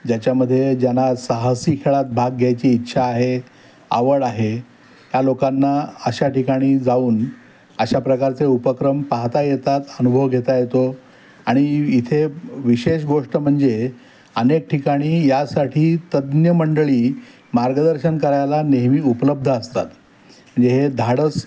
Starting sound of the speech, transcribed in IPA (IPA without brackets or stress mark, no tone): d͡ʑ